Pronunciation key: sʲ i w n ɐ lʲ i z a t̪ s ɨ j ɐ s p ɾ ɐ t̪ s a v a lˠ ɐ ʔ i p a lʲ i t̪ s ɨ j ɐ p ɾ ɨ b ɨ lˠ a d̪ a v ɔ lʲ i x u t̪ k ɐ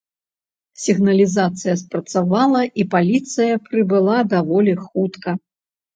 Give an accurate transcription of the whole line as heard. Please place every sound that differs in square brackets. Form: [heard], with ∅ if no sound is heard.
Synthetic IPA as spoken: sʲ i [ɣ] n ɐ lʲ i z a t̪ s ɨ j ɐ s p ɾ ɐ t̪ s a v a lˠ ɐ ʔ i p a lʲ i t̪ s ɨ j ɐ p ɾ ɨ b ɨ lˠ a d̪ a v ɔ lʲ i x u t̪ k ɐ